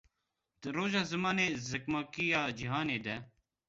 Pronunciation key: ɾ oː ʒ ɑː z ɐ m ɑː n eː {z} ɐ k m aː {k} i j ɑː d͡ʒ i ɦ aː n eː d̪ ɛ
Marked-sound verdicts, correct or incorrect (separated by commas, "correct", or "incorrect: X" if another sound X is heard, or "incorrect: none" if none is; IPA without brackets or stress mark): correct, correct